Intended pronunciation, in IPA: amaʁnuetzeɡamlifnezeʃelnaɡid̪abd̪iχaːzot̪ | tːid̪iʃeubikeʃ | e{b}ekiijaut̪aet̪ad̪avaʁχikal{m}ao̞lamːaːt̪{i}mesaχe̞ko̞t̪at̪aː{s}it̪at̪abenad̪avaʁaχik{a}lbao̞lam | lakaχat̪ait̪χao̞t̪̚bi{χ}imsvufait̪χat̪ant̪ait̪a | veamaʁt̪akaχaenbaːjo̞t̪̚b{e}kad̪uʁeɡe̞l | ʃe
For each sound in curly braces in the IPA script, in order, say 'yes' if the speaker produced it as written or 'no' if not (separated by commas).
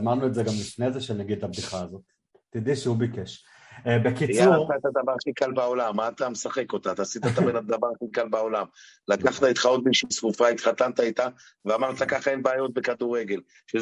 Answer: yes, no, no, yes, yes, no, yes